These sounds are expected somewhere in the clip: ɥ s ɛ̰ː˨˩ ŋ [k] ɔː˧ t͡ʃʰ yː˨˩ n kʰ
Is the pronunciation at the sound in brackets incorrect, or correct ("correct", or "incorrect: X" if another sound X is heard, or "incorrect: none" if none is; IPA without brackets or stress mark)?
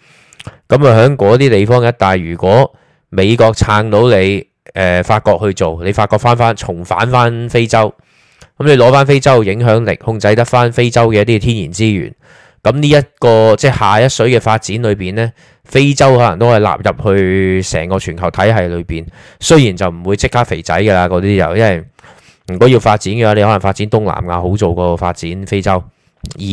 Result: correct